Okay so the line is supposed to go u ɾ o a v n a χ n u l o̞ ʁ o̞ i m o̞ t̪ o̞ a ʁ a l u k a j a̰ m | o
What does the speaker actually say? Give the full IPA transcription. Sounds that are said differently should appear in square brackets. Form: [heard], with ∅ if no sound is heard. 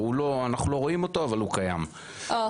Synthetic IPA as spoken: u [l] o a [∅] n a χ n u l o̞ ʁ o̞ i m o̞ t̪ o̞ a [v] a l u k a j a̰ m | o